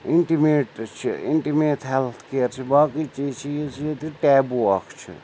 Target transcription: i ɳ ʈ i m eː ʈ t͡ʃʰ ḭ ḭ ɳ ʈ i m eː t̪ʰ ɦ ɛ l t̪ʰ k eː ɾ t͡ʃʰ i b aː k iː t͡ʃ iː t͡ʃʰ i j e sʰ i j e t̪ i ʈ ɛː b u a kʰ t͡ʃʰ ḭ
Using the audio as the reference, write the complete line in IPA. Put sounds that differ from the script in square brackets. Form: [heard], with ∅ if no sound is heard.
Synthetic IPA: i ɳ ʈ i m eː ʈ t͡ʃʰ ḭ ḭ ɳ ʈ i m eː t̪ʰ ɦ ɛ l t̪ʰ k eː ɾ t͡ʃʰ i b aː k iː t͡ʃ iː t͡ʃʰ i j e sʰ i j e t̪ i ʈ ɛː b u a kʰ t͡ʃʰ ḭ